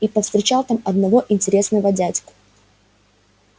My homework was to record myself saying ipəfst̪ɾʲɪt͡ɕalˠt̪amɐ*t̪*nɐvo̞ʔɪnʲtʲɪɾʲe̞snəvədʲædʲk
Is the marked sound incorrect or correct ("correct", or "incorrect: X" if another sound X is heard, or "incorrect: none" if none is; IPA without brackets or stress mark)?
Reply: incorrect: d̪